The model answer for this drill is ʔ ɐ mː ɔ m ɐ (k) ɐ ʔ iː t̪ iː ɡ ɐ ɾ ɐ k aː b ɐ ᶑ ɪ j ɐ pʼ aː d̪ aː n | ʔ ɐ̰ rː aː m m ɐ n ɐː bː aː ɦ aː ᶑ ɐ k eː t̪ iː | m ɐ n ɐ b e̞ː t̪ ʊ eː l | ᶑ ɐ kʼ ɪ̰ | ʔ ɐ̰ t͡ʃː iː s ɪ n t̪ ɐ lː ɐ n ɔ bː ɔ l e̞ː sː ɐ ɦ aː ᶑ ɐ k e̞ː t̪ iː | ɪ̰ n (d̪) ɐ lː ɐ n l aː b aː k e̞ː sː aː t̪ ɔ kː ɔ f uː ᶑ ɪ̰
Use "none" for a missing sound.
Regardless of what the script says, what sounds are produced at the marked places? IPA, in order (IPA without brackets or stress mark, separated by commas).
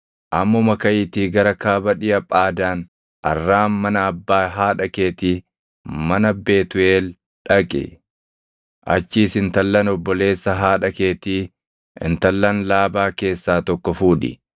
k, t̪